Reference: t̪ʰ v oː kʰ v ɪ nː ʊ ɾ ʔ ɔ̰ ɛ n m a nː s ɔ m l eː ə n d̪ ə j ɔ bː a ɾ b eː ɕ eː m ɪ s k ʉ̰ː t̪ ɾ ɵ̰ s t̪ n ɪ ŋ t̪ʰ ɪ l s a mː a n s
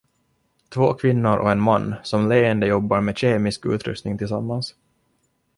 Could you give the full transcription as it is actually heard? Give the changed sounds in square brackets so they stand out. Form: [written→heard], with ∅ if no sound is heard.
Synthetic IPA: t̪ʰ v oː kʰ v ɪ nː ʊ ɾ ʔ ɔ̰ ɛ n m a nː s ɔ m l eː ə n d̪ ə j ɔ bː a ɾ [b→m] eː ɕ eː m ɪ s k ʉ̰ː t̪ ɾ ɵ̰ s t̪ n ɪ ŋ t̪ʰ ɪ l s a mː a n s